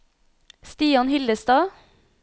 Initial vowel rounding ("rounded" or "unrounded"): unrounded